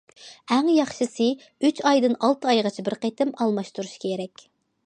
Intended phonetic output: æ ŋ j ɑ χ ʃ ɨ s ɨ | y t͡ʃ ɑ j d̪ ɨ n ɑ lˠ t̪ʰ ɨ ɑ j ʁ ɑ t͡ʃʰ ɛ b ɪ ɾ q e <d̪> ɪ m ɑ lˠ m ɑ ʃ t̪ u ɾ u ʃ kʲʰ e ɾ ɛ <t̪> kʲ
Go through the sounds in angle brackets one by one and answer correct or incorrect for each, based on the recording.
incorrect: t̪, incorrect: none

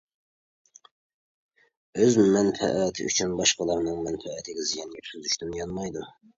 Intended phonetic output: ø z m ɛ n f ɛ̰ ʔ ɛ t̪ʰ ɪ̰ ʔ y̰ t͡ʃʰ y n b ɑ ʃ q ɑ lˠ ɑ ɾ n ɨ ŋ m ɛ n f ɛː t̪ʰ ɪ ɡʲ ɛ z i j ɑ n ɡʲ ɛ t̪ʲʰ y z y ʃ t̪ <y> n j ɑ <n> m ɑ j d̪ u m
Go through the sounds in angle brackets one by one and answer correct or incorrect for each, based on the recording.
correct, correct

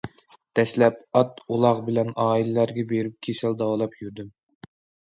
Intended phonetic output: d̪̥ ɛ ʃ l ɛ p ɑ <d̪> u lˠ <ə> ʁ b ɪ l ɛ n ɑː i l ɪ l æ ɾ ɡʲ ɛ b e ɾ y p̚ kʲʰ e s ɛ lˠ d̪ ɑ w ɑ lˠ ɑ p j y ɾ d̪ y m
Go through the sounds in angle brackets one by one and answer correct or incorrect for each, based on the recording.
incorrect: t̪, incorrect: ɑ

